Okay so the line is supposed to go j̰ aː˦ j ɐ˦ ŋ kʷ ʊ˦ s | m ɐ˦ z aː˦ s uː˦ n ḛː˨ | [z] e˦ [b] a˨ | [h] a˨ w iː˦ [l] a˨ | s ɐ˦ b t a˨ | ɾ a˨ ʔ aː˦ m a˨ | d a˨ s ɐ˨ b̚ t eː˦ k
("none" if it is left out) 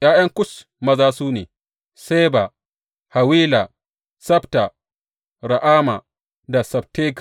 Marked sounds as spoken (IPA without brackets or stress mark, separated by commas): s, b, h, l